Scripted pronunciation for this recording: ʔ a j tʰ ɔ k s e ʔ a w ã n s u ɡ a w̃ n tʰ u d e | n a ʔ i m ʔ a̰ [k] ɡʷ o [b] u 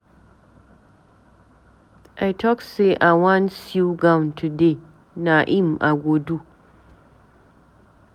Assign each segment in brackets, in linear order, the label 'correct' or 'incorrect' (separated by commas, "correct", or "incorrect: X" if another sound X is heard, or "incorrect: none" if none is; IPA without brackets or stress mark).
incorrect: none, incorrect: d